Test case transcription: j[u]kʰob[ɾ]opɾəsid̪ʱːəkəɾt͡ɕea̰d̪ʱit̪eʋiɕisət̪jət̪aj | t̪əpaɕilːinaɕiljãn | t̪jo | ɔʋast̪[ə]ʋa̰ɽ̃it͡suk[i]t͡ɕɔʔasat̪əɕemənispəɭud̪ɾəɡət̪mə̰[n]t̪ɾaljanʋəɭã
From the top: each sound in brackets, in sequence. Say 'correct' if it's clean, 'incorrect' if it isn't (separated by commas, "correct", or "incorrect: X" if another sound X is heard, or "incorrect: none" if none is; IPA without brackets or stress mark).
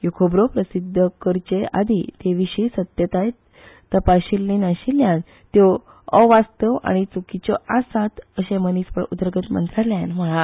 correct, correct, correct, correct, correct